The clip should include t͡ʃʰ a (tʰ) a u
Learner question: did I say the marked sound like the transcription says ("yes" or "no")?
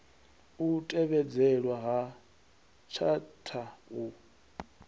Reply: yes